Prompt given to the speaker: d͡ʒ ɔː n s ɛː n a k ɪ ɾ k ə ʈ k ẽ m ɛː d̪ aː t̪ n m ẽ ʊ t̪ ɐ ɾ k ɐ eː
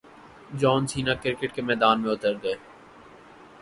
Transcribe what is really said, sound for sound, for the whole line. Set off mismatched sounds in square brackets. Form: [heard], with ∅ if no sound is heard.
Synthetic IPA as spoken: d͡ʒ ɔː n s [iː] n a k ɪ ɾ k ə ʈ k [e] m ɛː d̪ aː [∅] n m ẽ ʊ t̪ [ə] ɾ [ɡ] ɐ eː